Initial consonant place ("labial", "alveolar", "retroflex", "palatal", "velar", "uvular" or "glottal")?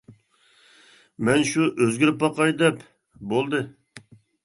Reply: labial